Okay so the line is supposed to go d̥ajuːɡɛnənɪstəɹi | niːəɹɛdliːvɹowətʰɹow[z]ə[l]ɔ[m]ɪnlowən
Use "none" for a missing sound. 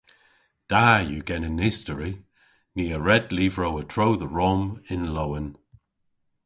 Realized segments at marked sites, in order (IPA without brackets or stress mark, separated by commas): ð, ɹ, m